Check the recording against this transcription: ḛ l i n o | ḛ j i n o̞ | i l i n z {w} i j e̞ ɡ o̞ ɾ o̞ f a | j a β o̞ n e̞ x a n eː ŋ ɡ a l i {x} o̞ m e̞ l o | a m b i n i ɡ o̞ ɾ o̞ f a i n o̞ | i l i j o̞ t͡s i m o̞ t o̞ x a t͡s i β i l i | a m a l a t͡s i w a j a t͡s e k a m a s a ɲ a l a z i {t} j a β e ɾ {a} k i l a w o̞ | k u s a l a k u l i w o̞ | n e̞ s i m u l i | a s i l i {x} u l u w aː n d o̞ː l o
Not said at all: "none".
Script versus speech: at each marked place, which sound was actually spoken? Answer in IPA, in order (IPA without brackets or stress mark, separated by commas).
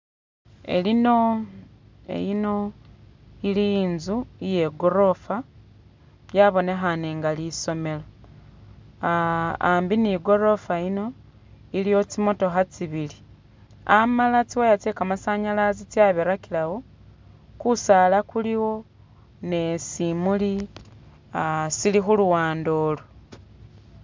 u, s, t͡s, a, x